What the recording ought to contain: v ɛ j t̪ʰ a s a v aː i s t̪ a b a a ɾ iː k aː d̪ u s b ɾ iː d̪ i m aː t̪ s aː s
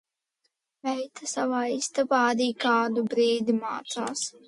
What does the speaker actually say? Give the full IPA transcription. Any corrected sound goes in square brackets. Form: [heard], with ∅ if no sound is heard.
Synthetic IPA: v ɛ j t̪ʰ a s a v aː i s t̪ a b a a ɾ iː k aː d̪ u [∅] b ɾ iː d̪ i m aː t̪ s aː s